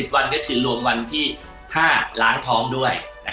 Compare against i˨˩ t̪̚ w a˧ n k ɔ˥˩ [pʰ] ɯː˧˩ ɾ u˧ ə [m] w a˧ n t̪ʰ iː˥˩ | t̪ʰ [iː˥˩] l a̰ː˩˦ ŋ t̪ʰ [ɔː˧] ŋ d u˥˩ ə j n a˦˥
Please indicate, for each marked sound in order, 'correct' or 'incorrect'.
incorrect, correct, incorrect, incorrect

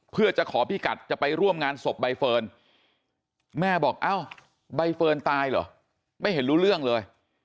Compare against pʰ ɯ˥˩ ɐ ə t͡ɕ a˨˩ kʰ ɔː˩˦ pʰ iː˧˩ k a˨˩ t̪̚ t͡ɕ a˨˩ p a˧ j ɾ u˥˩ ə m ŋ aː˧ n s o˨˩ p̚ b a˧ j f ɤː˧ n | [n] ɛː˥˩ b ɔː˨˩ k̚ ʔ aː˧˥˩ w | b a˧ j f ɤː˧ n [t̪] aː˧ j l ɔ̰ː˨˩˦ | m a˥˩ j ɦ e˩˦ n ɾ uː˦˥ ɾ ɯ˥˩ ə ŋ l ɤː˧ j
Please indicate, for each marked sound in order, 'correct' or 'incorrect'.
incorrect, correct

